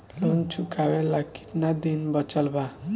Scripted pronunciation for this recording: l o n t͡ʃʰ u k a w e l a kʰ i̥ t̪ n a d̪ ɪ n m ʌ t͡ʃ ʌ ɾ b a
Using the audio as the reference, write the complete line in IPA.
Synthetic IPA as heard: l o n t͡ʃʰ u k a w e l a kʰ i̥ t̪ n a d̪ i n b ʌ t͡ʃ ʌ l b a